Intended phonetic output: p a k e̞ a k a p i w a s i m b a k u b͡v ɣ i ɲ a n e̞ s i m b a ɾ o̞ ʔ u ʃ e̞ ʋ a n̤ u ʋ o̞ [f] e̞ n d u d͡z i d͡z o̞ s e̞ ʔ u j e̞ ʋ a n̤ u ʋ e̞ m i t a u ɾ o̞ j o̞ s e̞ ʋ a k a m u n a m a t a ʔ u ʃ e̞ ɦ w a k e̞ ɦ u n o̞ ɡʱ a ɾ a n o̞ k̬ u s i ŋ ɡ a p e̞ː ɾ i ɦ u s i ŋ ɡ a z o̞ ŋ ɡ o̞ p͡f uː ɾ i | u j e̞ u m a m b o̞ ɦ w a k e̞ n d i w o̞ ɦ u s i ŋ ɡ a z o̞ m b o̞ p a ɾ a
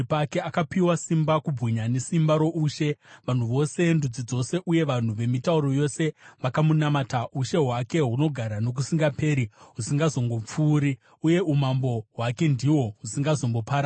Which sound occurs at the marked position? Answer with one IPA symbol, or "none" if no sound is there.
s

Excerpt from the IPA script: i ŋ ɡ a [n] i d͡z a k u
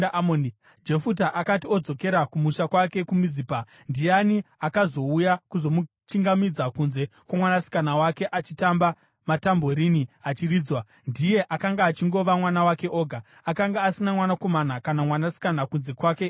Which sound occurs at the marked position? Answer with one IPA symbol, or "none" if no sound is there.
m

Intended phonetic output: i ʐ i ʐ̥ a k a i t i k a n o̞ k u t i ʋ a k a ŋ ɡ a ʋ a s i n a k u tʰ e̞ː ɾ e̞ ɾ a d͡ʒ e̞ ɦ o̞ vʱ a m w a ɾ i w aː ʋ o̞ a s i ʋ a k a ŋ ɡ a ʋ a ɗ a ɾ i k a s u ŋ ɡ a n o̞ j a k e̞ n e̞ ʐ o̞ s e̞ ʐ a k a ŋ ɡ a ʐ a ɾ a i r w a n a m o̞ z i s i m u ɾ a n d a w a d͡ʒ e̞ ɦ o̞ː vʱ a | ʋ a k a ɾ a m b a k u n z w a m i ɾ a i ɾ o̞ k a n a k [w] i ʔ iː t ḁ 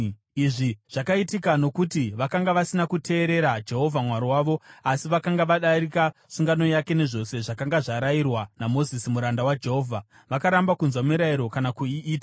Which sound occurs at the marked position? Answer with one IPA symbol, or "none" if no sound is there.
u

